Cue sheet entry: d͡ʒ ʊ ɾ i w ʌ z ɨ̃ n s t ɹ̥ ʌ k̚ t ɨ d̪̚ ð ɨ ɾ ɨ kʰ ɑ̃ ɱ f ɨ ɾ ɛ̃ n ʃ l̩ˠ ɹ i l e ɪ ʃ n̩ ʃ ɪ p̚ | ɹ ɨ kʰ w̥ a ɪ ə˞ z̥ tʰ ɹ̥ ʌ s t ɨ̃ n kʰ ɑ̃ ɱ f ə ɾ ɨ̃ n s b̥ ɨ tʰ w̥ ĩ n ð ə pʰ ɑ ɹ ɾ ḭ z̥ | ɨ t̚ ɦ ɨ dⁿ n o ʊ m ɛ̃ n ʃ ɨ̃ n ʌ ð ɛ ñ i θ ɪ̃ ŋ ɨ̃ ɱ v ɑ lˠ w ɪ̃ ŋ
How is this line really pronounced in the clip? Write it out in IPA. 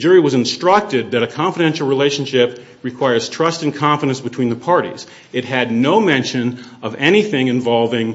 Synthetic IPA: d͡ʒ ʊ ɹ i w ʌ z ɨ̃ n s t ɹ̥ ʌ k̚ t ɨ d̪̚ ð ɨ ɾ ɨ kʰ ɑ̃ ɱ f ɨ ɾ ɛ̃ n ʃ l̩ˠ ɹ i l e ɪ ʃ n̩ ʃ ɪ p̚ | ɹ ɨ kʰ w̥ a ɪ ə˞ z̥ tʰ ɹ̥ ʌ s t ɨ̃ n kʰ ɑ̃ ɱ f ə ɾ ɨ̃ n s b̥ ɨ tʰ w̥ ĩ n ð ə pʰ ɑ ɹ ɾ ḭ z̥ | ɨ t̚ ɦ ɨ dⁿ n o ʊ m ɛ̃ n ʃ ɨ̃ n ʌ v ɛ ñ i θ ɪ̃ ŋ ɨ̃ ɱ v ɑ lˠ v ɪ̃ ŋ